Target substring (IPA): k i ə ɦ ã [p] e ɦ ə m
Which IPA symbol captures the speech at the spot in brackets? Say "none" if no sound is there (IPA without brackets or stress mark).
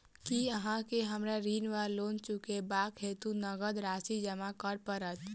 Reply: k